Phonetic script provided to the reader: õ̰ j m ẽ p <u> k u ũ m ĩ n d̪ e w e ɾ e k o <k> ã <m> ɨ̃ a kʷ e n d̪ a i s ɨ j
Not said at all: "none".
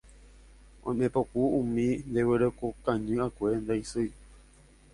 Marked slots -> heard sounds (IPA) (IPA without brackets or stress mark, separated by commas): o, k, ɲ